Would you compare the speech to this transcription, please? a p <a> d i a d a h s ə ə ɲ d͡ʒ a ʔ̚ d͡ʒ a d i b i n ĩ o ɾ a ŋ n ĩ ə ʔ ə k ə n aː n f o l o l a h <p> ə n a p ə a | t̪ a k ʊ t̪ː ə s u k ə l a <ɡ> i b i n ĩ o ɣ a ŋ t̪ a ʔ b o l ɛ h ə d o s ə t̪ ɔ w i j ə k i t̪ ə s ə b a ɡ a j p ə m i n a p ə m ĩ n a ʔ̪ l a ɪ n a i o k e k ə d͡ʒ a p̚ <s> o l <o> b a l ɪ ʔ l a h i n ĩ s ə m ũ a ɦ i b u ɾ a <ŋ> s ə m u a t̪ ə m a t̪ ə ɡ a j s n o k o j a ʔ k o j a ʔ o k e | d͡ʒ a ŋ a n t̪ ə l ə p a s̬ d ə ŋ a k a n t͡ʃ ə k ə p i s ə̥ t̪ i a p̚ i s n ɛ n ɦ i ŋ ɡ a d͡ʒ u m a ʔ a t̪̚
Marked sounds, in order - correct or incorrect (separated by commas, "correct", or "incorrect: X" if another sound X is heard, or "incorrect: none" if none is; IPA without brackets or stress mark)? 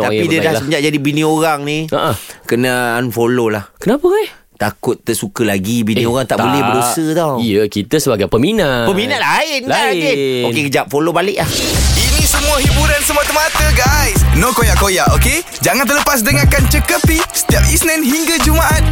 incorrect: i, incorrect: k, correct, incorrect: f, correct, incorrect: n